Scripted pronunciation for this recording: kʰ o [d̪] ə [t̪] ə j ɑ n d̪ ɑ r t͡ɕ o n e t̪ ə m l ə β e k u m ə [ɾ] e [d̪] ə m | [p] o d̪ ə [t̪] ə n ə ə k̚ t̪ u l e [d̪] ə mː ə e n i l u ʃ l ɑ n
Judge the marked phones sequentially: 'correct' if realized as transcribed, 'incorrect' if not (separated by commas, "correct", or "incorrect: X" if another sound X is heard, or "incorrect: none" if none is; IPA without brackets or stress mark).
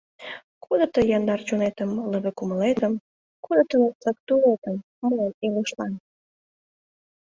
correct, correct, incorrect: l, incorrect: t̪, incorrect: k, correct, incorrect: t̪